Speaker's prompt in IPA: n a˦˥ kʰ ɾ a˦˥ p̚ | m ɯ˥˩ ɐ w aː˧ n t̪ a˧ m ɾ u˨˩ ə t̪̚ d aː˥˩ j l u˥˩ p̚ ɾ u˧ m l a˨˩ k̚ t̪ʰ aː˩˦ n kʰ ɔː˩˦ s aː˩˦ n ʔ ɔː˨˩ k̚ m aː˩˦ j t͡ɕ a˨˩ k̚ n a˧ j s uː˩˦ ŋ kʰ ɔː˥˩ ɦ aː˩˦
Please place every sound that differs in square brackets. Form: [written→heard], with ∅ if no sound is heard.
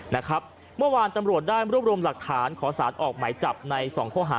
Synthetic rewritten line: n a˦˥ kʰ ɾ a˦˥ p̚ | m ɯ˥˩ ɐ w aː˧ n t̪ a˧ m ɾ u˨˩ ə t̪̚ d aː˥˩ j [l→ɾ] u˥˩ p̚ ɾ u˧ m l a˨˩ k̚ t̪ʰ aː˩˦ n kʰ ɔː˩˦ s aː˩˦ n ʔ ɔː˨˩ k̚ m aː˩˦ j t͡ɕ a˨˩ [k̚→p̚] n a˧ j s [uː˩˦→ɔː˩˦] ŋ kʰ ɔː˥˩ ɦ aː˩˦